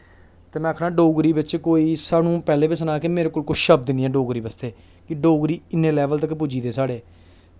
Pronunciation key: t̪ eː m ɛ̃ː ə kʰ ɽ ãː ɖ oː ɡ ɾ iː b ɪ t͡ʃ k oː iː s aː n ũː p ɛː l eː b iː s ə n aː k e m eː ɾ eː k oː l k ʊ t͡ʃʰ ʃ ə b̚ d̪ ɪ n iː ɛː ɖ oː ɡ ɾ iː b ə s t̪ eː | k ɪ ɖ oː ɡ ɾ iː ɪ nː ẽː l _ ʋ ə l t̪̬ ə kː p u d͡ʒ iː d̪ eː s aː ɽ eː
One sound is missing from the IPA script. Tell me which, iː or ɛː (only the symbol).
ɛː